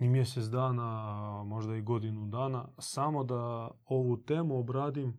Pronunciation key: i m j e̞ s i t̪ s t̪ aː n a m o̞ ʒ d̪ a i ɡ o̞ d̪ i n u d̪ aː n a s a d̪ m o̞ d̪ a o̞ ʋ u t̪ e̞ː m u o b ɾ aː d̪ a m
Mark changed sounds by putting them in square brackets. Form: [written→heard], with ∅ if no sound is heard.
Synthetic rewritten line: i m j e̞ s [i→e] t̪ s [t̪→d̪] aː n a m o̞ ʒ d̪ a i ɡ o̞ d̪ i n u d̪ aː n a s a [d̪→∅] m o̞ d̪ a o̞ ʋ u t̪ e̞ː m u o b ɾ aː d̪ [a→i] m